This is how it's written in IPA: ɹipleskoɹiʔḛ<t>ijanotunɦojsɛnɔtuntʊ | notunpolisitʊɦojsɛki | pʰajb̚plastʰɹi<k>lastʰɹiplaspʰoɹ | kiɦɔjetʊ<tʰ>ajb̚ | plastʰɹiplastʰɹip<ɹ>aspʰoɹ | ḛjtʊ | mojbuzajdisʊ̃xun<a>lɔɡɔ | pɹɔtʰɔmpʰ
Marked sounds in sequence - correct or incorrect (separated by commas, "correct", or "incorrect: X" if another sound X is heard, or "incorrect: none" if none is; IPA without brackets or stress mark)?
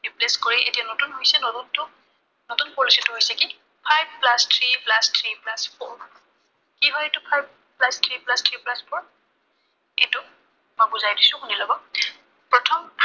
correct, incorrect: p, incorrect: pʰ, incorrect: l, incorrect: i